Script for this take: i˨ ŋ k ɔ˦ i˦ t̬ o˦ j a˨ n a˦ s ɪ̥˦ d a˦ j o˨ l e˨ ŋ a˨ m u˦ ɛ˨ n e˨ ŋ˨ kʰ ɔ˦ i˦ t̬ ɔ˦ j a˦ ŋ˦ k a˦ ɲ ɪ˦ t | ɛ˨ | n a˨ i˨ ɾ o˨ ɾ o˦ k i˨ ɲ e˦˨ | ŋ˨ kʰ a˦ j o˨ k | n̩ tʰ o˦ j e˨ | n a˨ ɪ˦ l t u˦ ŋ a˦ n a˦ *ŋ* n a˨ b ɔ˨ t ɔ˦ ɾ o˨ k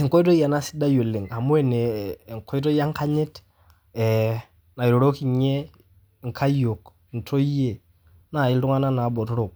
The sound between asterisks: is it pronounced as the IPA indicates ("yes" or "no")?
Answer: no